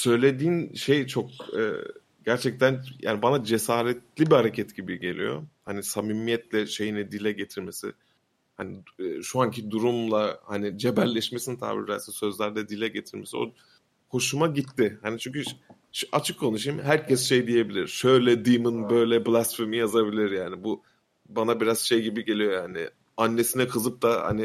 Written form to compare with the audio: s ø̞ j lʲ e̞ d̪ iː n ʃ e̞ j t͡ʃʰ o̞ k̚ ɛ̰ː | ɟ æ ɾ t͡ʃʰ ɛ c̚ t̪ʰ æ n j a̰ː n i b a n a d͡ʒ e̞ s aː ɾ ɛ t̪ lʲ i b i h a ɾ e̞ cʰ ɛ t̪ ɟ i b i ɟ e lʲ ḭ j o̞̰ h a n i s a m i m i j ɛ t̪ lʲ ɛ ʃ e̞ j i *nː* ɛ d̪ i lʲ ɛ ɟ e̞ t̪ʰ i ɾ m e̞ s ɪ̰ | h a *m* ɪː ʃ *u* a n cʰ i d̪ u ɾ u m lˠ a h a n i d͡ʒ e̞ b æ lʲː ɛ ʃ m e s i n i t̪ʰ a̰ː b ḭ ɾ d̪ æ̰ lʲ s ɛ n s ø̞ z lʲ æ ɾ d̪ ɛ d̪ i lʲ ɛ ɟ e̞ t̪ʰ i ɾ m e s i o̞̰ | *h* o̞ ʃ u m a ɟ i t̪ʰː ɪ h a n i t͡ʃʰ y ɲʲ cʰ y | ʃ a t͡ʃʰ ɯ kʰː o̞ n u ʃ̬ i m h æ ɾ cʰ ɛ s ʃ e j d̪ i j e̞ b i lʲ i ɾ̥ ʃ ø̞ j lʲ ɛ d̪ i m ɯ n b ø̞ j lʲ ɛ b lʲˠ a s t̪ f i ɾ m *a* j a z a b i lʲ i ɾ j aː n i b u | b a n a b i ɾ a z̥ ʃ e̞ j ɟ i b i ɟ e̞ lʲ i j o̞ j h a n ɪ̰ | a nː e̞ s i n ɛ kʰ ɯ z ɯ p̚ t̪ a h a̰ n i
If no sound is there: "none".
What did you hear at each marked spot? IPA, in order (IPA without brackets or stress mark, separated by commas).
n, n, u, h, i